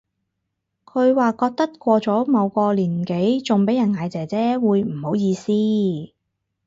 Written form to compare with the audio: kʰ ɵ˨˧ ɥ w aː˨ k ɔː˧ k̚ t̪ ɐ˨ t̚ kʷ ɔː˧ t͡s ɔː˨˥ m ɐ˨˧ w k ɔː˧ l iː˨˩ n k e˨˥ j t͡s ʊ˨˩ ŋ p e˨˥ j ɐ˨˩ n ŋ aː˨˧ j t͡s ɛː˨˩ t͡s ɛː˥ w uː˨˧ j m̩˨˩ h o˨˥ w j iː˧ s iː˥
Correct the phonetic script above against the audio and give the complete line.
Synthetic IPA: kʰ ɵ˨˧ ɥ w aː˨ k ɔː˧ k̚ t̪ ɐ˥ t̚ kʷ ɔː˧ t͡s ɔː˨˥ m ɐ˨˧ w k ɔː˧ l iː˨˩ n k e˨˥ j t͡s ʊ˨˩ ŋ p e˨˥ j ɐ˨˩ n ŋ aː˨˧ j t͡s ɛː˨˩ t͡s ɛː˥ w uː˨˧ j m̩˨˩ h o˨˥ w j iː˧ s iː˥

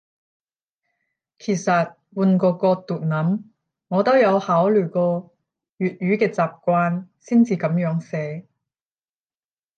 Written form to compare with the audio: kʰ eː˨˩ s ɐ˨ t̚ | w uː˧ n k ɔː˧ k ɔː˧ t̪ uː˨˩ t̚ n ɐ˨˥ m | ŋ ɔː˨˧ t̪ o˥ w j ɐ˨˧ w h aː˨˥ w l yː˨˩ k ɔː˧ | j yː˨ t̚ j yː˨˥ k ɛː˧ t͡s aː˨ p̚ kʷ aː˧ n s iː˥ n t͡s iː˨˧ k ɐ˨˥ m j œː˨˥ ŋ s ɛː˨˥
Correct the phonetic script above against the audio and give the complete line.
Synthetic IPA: kʰ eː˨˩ s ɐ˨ t̚ | w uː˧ n k ɔː˧ k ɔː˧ t̪ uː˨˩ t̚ n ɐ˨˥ m | ŋ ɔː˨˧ t̪ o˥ w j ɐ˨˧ w h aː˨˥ w l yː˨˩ k ɔː˧ | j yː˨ t̚ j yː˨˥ k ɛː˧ t͡s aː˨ p̚ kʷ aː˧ n s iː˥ n t͡s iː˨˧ k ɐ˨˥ m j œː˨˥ ŋ s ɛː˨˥

